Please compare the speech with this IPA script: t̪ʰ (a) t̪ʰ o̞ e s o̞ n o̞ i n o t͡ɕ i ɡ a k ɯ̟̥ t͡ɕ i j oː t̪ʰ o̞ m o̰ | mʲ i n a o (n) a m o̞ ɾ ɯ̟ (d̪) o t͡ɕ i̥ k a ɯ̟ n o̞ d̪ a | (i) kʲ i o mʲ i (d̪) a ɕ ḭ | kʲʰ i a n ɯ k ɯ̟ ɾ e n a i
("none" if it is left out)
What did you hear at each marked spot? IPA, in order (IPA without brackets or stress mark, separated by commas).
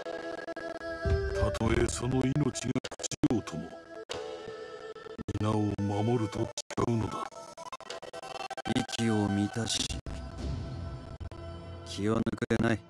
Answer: a, m, t̪, i, t̪